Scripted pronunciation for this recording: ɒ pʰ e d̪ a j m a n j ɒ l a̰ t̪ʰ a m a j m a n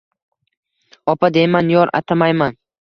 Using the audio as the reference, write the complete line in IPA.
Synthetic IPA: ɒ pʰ a d̪ e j m a n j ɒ ɾ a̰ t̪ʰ a m a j m a n